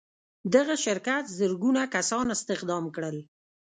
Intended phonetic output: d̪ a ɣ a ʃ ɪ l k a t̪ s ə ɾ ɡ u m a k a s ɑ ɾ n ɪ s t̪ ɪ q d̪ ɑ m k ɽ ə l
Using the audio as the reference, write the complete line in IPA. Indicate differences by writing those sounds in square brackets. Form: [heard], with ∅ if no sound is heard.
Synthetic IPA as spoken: d̪ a ɣ a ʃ ɪ [ɾ] k a t̪ [z] ə ɾ ɡ u [n] a k a s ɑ [∅] n ɪ s t̪ ɪ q d̪ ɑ m k ɽ ə l

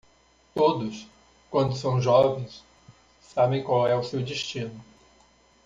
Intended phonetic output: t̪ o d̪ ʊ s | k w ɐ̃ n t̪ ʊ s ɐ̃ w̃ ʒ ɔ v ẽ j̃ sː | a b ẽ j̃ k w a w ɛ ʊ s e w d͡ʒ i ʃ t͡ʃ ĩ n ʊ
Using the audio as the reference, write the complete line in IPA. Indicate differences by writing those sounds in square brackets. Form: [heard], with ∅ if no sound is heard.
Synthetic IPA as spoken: t̪ o d̪ ʊ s | k w ɐ̃ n [d̪] ʊ s ɐ̃ w̃ ʒ ɔ v ẽ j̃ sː | a b ẽ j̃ k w a w ɛ ʊ s e w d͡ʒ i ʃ t͡ʃ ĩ n ʊ

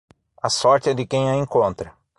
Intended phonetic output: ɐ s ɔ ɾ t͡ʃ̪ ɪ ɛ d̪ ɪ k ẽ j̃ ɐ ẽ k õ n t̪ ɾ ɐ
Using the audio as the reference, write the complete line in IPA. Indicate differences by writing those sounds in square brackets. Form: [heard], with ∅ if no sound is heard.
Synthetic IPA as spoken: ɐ s ɔ ɾ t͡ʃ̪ ɪ ɛ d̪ ɪ k ẽ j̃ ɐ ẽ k õ n t̪ ɾ ɐ

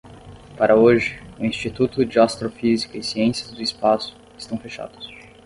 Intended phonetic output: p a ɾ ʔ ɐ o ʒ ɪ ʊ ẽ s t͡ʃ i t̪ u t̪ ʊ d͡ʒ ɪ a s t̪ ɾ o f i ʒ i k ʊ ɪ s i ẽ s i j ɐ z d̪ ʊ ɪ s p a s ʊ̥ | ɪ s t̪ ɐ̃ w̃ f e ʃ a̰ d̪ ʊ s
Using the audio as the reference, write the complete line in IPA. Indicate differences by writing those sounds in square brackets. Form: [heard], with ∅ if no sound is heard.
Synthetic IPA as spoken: p a ɾ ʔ ɐ o ʒ ɪ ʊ [ĩ] s t͡ʃ i t̪ u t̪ ʊ d͡ʒ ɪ a s t̪ ɾ o f i [z] i k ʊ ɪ s i ẽ s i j ɐ z d̪ ʊ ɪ s p a s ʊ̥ | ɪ s t̪ ɐ̃ w̃ f e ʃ a̰ d̪ ʊ s

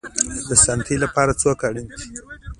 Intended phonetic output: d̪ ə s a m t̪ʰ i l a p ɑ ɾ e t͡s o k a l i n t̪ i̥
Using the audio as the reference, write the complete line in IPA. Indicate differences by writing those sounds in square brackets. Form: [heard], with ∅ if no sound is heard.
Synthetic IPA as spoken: d̪ ə s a [n] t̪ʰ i l a p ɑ ɾ [a] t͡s o k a [ɽ] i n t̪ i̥

